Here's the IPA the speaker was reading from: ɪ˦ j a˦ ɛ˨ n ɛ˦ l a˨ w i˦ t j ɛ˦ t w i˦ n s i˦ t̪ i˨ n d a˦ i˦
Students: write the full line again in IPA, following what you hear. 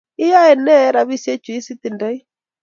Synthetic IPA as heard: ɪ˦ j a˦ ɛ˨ n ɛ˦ ɾ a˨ β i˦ s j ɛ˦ t͡ʃ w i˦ s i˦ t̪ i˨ n d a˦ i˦